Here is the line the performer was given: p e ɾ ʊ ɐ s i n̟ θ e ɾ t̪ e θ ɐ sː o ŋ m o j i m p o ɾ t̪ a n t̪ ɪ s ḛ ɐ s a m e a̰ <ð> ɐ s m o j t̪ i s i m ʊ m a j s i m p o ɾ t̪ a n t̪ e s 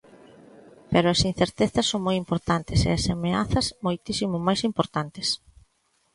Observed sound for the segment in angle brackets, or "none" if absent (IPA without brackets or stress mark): θ